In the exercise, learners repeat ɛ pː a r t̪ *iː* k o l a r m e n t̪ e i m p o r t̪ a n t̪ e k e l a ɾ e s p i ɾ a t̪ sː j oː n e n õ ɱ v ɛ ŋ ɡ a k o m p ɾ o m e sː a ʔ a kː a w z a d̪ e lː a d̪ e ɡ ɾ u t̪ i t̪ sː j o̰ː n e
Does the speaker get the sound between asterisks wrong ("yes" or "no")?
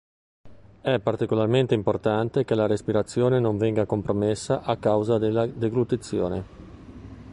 yes